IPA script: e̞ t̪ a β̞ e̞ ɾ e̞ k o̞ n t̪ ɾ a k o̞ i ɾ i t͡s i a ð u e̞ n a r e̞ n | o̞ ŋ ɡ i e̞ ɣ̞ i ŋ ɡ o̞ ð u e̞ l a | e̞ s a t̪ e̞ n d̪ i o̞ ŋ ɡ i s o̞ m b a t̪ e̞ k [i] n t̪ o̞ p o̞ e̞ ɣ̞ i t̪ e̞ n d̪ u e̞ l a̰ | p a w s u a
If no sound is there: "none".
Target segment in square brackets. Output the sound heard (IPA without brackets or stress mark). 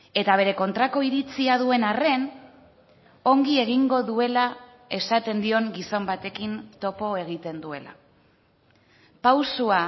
i